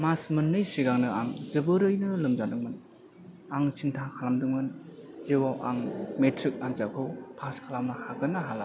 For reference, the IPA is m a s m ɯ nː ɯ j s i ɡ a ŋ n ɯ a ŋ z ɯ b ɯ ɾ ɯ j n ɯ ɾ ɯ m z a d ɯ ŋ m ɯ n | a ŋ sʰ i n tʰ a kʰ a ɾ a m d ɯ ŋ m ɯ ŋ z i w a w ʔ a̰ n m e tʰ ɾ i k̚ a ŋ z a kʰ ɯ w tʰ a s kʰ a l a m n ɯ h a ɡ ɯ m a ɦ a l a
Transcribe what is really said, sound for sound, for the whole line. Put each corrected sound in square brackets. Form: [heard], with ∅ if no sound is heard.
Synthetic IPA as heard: m a s m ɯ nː ɯ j s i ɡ a ŋ n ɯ a ŋ z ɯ b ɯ ɾ ɯ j n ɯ [l] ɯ m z a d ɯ ŋ m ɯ n | a ŋ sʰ i n tʰ a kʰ a [l] a m d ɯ ŋ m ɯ [n] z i w a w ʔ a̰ [ŋ] m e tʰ ɾ i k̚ a ŋ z a kʰ ɯ w [pʰ] a s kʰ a l a m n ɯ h a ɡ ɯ [n] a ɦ a l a

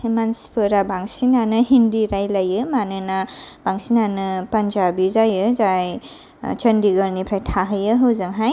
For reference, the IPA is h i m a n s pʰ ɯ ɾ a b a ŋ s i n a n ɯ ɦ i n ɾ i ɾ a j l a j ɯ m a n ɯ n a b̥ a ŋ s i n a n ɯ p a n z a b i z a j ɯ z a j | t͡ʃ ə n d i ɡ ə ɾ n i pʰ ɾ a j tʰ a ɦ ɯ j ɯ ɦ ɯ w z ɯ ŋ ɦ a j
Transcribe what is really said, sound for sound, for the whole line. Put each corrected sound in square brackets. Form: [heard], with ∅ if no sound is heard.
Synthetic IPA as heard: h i m a n s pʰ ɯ ɾ a b a ŋ s i n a n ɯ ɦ i n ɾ i ɾ a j l a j ɯ m a n ɯ n a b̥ a ŋ s i n a n ɯ p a n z a b i z a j ɯ z a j | t͡ʃ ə n d i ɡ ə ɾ n i pʰ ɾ a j tʰ a ɦ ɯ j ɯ ɦ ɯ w z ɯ ŋ ɦ a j

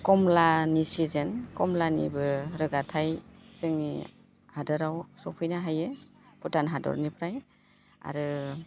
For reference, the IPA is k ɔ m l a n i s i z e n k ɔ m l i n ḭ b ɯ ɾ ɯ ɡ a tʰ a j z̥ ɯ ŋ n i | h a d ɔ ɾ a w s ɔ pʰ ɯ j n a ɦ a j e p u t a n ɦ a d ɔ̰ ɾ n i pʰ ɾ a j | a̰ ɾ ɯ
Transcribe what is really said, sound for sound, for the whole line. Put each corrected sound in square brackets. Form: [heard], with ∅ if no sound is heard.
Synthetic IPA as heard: k ɔ m l a n i s i z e n k ɔ m l [a] n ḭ b ɯ ɾ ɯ ɡ a tʰ a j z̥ ɯ ŋ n i | h a d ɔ ɾ a w s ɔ pʰ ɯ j n a ɦ a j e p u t a n ɦ a d ɔ̰ ɾ n i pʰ ɾ a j | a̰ ɾ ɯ

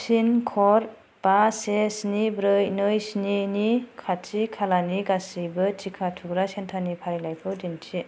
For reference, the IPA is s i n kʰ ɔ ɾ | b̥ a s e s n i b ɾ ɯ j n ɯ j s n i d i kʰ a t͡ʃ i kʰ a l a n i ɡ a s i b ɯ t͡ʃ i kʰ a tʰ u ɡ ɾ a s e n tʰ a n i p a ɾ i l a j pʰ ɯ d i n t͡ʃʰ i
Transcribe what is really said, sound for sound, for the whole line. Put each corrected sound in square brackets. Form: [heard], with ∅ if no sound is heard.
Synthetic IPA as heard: s i n kʰ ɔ ɾ | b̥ a s e s n i b ɾ ɯ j n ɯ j s n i [n] i kʰ a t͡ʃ i kʰ a l a n i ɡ a s i b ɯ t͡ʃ i kʰ a tʰ u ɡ ɾ a s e n tʰ a n i [pʰ] a ɾ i l a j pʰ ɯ d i n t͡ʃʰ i

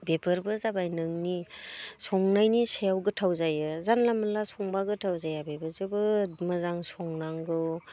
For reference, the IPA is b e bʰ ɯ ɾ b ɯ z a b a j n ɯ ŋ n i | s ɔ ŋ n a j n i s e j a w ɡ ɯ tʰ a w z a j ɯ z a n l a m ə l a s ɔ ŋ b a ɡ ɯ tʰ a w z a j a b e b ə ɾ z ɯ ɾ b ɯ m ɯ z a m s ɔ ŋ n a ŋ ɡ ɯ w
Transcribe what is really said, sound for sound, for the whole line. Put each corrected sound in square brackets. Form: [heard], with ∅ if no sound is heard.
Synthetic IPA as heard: b e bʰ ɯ ɾ b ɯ z a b a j n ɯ ŋ n i | s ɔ ŋ n a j n i s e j a w ɡ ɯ tʰ a w z a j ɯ z a n l a m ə l a s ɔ ŋ b a ɡ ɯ tʰ a w z a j a b e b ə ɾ z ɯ [∅] b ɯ m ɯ z a [ŋ] s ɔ ŋ n a ŋ ɡ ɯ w

